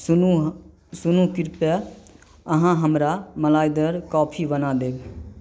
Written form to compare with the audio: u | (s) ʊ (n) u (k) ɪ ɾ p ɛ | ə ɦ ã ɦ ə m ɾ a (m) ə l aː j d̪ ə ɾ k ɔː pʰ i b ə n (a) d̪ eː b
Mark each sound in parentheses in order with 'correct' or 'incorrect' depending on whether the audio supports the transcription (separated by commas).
correct, correct, correct, correct, correct